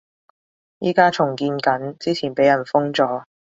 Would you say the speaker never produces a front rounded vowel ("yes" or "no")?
yes